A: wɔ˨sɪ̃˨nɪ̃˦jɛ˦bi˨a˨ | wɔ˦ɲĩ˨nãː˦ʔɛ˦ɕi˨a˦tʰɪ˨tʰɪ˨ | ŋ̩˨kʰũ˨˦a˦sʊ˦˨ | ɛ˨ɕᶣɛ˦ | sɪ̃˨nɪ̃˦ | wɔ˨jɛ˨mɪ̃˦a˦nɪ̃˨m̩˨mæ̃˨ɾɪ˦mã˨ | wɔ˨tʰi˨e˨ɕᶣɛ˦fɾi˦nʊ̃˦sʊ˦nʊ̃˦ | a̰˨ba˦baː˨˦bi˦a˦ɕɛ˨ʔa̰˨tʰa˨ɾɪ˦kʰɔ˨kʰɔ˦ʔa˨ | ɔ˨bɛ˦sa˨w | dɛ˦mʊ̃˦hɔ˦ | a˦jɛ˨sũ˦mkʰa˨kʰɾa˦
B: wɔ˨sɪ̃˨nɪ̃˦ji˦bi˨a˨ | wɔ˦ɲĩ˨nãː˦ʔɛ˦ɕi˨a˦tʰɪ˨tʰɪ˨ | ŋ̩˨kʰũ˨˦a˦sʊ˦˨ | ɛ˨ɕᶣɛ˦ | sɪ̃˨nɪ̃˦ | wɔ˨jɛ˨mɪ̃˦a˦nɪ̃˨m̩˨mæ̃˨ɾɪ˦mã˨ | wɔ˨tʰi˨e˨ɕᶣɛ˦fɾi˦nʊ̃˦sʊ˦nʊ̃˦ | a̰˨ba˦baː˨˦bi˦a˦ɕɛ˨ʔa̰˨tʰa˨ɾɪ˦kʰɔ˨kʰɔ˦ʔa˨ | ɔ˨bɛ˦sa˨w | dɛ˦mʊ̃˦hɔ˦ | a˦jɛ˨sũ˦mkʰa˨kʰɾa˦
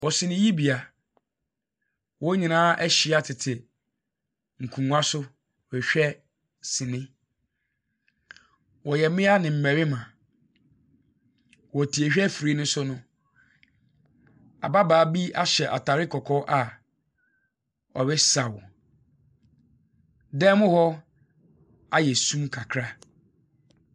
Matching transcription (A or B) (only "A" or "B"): B